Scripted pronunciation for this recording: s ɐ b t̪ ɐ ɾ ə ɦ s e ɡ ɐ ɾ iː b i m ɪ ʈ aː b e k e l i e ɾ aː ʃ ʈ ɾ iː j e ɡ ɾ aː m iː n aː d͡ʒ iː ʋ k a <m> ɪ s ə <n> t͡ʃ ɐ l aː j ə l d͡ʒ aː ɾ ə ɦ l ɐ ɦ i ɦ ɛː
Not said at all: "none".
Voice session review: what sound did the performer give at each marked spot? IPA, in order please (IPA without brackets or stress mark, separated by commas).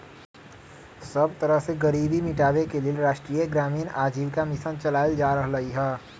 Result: m, n